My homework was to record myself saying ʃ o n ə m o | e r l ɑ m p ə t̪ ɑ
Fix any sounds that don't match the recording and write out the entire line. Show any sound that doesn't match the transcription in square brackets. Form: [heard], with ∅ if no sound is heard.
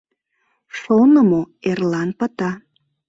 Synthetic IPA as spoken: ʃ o n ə m o | e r l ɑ [n] p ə t̪ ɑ